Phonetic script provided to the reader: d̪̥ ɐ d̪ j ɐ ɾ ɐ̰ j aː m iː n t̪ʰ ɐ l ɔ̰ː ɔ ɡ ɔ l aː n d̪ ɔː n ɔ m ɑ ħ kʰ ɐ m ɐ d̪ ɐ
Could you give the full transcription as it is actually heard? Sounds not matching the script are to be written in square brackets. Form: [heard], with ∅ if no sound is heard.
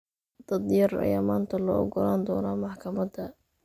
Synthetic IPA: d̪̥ ɐ d̪ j ɐ [r] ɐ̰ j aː m [aː] n t̪ʰ ɐ l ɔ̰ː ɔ ɡ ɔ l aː n d̪ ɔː n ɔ m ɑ ħ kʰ ɐ m ɐ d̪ ɐ